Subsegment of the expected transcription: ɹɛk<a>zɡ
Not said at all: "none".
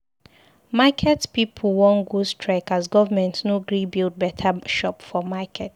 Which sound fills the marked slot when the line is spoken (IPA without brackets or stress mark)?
a